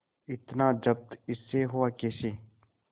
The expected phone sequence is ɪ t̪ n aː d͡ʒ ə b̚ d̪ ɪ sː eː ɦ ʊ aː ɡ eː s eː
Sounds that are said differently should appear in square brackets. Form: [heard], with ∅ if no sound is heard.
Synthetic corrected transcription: ɪ t̪ n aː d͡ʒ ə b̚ [t̪] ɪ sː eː ɦ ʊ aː [k] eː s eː